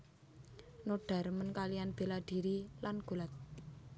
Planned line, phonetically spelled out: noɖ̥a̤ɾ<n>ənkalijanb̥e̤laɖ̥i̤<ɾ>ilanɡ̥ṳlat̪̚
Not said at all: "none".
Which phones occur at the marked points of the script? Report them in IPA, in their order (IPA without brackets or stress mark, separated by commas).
m, ɾ